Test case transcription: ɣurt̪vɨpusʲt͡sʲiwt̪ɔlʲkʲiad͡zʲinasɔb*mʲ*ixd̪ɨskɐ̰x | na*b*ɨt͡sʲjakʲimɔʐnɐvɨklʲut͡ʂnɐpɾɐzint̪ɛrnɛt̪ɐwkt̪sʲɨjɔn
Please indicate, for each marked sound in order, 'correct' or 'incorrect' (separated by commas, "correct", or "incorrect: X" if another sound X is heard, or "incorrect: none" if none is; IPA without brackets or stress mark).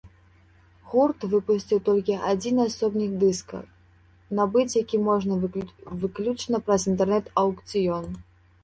incorrect: nʲ, correct